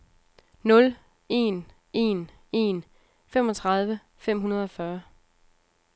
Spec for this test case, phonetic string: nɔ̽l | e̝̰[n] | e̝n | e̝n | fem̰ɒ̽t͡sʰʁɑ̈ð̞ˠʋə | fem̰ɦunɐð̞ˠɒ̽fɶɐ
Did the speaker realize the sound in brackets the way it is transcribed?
yes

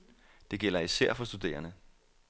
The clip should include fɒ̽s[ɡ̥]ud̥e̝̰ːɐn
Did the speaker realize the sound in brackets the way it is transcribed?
no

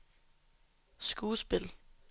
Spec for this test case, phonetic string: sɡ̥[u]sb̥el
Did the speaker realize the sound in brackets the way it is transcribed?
no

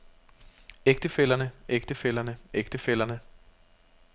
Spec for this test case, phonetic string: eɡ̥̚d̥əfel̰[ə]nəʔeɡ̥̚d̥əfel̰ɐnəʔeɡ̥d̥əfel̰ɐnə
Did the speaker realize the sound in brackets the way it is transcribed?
no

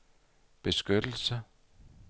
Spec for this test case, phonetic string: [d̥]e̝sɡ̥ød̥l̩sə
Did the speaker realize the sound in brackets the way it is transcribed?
no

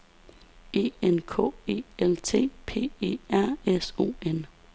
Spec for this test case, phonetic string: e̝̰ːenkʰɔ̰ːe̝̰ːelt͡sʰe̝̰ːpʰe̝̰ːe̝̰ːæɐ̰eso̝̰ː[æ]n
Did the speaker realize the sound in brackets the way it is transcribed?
no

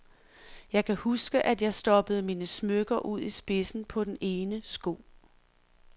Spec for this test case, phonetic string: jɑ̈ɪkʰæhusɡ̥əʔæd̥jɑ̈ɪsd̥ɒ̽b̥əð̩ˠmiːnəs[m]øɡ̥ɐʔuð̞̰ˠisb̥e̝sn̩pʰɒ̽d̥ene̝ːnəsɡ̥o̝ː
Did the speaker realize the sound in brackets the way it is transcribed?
yes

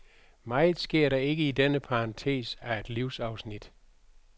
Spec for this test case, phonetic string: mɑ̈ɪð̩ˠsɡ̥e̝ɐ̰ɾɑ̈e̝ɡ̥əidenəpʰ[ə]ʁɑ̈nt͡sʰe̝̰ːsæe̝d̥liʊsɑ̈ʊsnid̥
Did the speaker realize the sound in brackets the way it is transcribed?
no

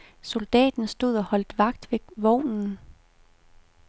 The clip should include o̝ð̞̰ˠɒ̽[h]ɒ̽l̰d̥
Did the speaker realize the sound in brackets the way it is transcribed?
yes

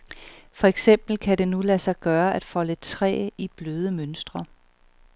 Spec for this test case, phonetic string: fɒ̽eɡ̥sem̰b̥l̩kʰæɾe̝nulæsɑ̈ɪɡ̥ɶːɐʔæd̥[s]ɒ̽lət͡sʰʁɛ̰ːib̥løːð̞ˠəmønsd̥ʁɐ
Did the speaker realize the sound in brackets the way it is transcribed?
no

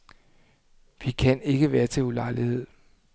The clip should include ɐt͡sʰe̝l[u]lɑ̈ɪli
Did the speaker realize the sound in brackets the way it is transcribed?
yes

